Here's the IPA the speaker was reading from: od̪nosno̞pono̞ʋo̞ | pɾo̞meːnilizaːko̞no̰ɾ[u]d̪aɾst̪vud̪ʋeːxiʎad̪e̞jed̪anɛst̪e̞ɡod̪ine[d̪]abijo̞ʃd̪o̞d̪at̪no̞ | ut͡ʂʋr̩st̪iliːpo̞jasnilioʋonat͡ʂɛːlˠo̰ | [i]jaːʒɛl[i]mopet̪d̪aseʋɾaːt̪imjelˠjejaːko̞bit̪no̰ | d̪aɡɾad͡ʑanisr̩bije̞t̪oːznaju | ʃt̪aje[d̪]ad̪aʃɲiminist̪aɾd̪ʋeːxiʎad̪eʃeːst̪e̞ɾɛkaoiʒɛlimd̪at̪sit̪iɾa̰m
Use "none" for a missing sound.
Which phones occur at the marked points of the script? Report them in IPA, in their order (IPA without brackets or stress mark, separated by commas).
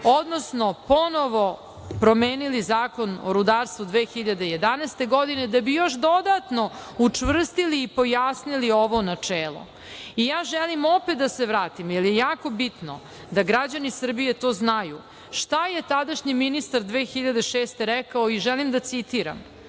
u, d̪, i, i, t̪